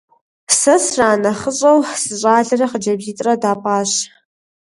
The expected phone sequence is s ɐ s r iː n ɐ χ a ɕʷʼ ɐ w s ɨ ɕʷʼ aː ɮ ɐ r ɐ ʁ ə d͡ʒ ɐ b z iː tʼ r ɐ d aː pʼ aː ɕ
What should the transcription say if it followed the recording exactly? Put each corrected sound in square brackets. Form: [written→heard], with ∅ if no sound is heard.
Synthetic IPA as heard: s ɐ s r [iː→aː] n ɐ χ [a→ə] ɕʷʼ ɐ w s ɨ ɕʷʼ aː ɮ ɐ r ɐ [ʁ→χ] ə d͡ʒ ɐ b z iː tʼ r ɐ d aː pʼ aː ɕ